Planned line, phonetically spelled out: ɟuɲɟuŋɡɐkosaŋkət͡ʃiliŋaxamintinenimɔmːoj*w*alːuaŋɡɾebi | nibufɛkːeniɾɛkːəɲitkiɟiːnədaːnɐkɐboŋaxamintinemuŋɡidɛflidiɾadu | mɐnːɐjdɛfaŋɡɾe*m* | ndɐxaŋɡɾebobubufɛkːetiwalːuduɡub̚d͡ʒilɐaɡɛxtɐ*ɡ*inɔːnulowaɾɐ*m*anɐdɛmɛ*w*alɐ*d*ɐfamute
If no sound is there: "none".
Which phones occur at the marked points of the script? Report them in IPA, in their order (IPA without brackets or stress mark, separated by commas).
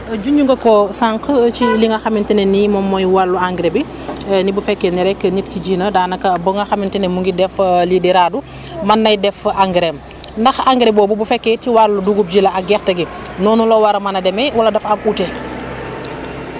w, m, ɡ, m, w, d